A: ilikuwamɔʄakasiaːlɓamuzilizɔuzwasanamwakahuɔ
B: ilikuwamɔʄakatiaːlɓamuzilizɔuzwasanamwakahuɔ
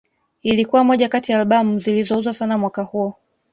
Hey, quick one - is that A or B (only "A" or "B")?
B